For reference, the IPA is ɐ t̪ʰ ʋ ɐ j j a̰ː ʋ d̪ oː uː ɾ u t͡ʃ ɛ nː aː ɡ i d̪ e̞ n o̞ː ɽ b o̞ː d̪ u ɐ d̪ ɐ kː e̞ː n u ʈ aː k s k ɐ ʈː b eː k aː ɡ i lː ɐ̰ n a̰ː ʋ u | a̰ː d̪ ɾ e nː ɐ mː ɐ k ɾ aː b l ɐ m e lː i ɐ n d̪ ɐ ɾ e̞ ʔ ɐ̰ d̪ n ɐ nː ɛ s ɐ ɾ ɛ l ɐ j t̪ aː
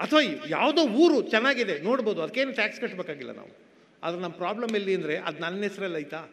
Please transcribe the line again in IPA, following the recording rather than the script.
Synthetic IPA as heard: ɐ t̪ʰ ʋ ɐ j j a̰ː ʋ d̪ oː uː ɾ u t͡ʃ ɛ nː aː ɡ i d̪ e̞ n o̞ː ɽ b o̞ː d̪ u ɐ d̪ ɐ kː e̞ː n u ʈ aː k s k ɐ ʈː b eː k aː ɡ i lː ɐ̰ n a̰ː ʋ u | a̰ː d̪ ɾ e n ɐ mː ɐ p ɾ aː b l ɐ m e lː i ɐ n d̪ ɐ ɾ e̞ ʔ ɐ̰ d̪ n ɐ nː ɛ s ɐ ɾ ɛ l ɐ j t̪ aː